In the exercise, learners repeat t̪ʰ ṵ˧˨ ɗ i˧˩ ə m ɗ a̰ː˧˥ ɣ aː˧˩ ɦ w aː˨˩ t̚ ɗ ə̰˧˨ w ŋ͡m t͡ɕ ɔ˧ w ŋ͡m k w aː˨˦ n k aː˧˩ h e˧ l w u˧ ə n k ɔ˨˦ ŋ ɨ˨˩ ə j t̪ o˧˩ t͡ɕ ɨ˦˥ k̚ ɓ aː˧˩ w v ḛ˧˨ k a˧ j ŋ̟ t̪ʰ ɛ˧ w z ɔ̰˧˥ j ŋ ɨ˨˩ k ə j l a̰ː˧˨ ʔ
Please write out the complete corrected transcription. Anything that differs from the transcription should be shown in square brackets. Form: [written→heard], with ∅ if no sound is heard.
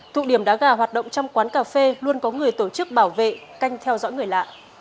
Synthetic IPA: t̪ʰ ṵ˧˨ ɗ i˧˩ ə m ɗ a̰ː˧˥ ɣ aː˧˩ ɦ w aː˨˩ t̚ ɗ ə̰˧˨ w ŋ͡m t͡ɕ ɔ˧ w ŋ͡m k w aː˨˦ n k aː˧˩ [h→f] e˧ l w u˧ ə n k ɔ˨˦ ŋ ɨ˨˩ ə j t̪ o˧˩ t͡ɕ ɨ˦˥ k̚ ɓ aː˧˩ w v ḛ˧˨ k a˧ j ŋ̟ t̪ʰ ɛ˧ w z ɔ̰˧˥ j ŋ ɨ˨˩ [k→∅] ə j l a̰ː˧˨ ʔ